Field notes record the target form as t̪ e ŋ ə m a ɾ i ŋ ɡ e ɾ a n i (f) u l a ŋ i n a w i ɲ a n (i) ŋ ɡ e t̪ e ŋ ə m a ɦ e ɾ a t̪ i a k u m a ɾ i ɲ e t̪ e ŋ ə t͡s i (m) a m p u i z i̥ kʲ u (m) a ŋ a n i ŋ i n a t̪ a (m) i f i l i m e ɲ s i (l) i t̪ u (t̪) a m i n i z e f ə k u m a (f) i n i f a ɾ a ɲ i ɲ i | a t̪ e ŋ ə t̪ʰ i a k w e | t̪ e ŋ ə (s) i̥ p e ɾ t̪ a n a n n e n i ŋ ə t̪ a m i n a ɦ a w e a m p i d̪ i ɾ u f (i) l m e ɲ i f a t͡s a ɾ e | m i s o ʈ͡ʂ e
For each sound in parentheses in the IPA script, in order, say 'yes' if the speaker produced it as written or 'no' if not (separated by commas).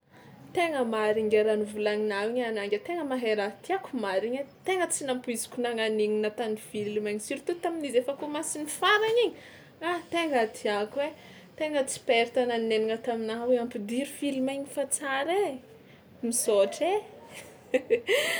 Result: no, no, no, no, no, no, yes, no, no, yes